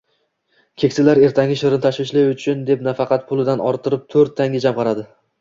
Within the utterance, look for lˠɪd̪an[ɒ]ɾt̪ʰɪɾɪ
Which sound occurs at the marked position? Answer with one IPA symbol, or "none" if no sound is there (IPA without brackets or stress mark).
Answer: ɒ